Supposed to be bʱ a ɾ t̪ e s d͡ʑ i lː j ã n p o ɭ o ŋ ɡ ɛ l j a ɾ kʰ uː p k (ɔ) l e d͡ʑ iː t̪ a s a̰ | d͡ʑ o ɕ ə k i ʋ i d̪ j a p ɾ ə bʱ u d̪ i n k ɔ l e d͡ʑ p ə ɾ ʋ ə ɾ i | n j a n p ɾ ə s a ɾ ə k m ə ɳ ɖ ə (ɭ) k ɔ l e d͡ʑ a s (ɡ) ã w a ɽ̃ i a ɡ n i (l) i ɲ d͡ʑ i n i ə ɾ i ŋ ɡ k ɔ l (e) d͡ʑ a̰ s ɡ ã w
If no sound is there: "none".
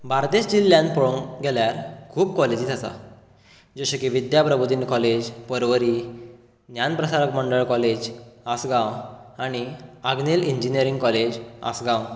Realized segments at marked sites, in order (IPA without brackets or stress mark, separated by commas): ɔ, ɭ, ɡ, l, e